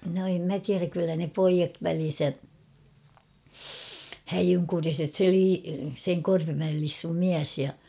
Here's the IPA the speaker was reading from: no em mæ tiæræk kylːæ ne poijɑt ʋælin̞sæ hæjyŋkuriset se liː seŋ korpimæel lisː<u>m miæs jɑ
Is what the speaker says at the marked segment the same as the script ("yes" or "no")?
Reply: yes